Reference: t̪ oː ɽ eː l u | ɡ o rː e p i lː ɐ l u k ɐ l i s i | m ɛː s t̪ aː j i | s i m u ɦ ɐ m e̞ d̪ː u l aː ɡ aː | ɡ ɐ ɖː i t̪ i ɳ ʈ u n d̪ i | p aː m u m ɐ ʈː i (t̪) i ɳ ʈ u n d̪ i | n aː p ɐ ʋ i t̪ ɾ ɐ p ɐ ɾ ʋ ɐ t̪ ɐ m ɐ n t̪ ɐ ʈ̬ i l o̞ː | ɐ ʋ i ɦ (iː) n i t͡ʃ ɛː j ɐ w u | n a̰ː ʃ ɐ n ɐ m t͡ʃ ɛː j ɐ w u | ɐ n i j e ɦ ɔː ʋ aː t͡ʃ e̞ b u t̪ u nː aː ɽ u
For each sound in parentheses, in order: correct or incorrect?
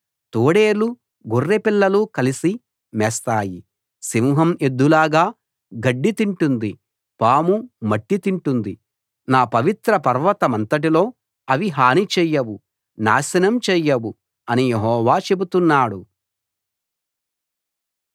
correct, incorrect

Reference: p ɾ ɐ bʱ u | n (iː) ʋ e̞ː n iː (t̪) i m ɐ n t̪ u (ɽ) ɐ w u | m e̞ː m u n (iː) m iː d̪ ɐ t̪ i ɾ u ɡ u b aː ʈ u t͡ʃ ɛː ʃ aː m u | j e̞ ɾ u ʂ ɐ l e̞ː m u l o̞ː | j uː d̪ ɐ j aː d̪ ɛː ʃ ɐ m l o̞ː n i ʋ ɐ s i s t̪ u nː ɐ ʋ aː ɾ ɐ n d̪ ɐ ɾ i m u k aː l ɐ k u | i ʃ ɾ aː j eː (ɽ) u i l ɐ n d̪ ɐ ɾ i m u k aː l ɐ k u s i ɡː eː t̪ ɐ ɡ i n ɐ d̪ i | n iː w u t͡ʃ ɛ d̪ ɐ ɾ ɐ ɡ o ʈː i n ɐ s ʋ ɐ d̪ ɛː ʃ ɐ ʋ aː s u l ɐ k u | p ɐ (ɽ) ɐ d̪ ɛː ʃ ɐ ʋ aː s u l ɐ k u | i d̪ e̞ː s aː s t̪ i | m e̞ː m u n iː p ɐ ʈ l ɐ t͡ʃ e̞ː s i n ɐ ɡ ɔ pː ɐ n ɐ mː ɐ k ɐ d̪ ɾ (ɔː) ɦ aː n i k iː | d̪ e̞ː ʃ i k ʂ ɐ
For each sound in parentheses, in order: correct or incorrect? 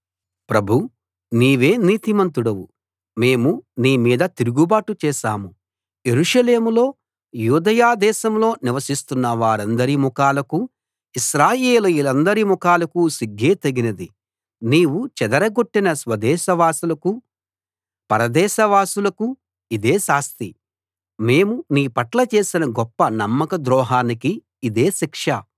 correct, correct, correct, correct, incorrect, incorrect, correct

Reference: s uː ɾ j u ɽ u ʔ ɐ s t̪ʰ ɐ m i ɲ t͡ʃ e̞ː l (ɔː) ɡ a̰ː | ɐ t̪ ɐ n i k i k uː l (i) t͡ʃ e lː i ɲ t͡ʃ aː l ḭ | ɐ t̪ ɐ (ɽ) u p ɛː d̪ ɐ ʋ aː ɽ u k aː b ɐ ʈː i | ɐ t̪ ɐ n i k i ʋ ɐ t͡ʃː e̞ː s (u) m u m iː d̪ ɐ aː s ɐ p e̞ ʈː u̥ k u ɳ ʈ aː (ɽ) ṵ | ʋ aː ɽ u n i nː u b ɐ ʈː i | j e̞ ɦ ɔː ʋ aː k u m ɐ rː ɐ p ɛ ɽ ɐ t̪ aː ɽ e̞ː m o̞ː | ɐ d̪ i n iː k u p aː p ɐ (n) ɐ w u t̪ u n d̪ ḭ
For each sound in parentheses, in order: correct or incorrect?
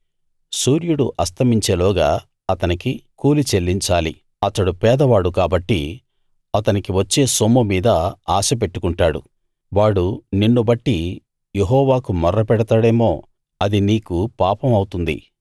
correct, correct, correct, incorrect, correct, incorrect

